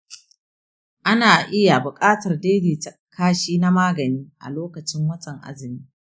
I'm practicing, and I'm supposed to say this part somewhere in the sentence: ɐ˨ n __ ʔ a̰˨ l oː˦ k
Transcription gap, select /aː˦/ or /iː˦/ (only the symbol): iː˦